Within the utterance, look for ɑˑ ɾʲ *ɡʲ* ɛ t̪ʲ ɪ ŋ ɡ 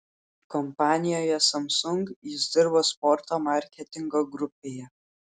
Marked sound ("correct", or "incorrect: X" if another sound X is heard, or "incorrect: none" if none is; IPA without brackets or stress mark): incorrect: kʲ